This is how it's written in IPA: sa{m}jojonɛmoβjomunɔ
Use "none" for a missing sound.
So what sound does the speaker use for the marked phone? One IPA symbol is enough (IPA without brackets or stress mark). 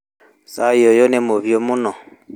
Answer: none